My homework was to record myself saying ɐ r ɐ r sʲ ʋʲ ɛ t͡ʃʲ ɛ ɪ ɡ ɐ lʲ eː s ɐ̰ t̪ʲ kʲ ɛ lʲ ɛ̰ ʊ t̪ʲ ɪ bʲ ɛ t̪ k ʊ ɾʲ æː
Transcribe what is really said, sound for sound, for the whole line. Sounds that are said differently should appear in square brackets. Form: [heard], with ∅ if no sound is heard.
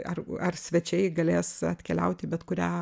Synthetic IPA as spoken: ɐ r ɐ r sʲ ʋʲ ɛ t͡ʃʲ ɛ ɪ ɡ ɐ lʲ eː s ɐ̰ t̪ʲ kʲ ɛ lʲ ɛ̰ ʊ t̪ʲ ɪ bʲ ɛ t̪ k ʊ ɾʲ æː